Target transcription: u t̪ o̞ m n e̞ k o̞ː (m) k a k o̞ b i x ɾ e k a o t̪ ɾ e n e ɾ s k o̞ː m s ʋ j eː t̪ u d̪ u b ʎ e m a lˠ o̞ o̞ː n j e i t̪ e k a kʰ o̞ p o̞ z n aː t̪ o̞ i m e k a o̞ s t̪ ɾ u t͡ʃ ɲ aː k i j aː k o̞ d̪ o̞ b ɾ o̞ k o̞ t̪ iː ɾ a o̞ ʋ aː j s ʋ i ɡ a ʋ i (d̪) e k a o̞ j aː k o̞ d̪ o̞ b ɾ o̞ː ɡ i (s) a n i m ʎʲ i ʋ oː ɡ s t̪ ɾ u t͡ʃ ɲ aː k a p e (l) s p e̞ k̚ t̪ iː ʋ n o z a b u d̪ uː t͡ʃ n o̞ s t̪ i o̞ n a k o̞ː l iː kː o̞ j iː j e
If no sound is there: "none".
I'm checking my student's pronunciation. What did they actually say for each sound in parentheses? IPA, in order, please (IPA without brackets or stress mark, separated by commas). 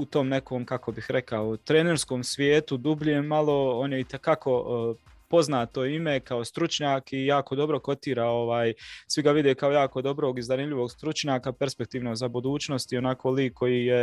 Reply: m, d̪, z, ɾ